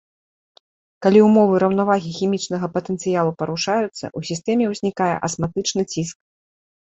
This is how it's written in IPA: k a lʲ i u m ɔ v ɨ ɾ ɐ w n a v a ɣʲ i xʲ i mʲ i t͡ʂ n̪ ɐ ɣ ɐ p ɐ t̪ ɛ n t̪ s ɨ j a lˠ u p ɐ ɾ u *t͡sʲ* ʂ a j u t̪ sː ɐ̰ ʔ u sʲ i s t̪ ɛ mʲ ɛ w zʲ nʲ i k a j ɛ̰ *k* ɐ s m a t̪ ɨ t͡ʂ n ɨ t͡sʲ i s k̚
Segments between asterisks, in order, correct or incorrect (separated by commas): incorrect, incorrect